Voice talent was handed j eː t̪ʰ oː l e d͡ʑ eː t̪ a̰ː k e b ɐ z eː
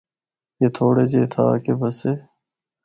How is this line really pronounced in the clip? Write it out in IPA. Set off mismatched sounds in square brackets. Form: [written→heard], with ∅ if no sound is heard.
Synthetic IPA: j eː t̪ʰ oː [l→ɽ] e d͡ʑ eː [t̪→t̪ʰ] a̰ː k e b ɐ [z→s] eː